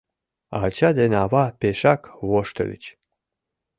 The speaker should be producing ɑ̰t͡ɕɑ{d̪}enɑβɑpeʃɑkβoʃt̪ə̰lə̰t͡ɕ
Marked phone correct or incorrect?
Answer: correct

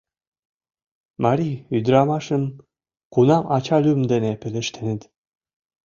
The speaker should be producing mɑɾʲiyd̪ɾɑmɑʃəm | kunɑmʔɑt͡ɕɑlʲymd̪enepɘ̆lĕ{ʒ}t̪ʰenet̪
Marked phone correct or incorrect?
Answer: incorrect: ʃ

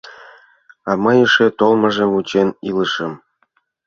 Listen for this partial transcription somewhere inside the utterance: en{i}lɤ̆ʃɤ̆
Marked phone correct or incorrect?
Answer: correct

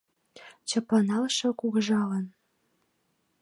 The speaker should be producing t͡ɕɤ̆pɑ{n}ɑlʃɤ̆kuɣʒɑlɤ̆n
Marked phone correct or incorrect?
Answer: correct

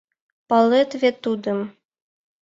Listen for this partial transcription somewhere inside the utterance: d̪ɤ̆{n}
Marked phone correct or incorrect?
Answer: incorrect: m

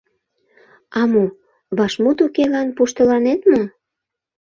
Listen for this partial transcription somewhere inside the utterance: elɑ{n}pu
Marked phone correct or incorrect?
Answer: correct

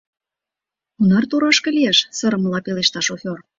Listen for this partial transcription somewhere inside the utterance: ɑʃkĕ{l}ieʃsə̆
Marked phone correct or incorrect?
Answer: correct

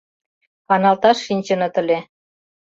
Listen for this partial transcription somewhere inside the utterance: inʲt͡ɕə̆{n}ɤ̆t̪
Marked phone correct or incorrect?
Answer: correct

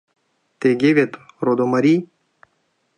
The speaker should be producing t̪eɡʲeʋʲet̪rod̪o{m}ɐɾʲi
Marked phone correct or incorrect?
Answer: correct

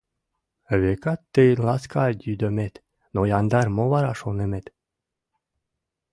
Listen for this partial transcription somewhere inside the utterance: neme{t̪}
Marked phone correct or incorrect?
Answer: correct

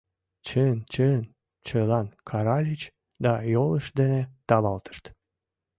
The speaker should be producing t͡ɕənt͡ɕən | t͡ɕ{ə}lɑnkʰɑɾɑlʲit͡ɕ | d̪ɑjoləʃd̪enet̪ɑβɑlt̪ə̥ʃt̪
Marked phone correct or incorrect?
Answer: correct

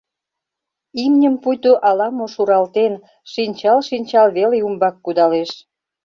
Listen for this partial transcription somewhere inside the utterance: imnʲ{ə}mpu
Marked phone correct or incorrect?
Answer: correct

